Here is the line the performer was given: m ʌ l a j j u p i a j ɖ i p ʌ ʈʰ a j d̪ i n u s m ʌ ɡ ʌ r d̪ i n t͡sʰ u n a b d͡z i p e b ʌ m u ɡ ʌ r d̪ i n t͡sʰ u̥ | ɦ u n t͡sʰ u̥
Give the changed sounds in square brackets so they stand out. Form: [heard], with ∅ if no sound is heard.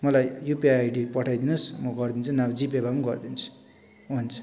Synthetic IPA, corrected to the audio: m ʌ l a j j u p i a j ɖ i p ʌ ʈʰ a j d̪ i n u s m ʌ ɡ ʌ r d̪ i n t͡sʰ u n a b d͡z i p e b [a] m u ɡ ʌ r d̪ i n t͡sʰ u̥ | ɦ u n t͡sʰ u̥